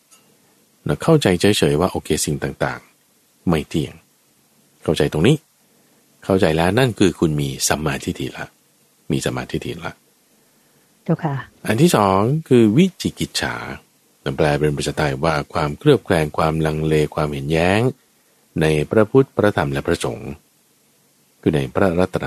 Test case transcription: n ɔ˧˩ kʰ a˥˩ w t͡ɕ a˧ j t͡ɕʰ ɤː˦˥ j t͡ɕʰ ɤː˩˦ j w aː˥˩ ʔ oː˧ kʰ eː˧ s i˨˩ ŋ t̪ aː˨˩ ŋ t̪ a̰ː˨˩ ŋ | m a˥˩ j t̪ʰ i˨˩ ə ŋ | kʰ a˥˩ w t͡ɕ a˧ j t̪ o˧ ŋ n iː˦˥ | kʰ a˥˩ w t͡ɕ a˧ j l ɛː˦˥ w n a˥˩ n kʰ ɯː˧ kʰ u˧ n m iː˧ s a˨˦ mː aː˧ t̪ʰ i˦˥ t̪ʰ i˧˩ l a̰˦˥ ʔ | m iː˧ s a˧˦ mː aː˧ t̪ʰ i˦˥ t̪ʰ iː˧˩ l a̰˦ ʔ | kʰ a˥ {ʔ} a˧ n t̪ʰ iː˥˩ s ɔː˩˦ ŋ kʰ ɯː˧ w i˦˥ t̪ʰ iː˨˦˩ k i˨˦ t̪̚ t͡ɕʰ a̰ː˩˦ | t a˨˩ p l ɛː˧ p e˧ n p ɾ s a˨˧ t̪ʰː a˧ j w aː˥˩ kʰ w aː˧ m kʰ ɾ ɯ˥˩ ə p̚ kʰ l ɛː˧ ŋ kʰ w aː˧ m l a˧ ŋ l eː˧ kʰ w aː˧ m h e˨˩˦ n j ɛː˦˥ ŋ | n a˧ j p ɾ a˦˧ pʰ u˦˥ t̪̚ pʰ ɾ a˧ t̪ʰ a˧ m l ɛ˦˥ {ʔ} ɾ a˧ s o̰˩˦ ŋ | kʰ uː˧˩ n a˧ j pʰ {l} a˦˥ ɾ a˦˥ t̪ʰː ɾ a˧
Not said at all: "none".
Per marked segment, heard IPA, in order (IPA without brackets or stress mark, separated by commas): ʔ, p, ɾ